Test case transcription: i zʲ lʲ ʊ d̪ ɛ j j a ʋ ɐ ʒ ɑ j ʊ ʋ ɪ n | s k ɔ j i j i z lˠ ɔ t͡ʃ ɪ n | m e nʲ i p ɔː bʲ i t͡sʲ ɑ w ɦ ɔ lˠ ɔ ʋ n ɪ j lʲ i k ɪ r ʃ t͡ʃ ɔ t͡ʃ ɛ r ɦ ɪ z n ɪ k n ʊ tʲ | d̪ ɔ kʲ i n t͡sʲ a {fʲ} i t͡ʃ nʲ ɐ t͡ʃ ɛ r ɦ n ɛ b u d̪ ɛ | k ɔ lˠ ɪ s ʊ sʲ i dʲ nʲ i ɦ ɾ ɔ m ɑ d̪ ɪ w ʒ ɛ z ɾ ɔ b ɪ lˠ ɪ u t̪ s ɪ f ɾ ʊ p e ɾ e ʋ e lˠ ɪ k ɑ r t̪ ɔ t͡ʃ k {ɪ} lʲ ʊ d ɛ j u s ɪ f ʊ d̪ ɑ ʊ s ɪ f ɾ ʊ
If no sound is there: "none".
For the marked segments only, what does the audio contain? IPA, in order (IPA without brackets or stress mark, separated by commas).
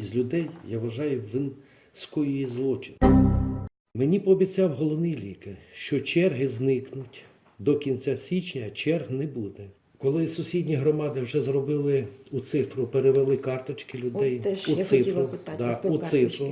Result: sʲ, ɪ